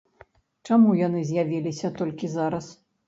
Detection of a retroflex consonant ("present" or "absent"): present